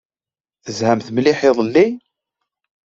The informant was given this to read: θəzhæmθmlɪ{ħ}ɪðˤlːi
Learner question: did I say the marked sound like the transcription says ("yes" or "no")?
yes